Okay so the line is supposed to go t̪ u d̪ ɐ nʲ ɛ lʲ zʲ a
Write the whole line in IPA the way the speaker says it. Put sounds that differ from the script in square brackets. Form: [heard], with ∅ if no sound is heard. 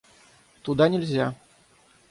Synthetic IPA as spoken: t̪ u d̪ [a] nʲ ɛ lʲ zʲ a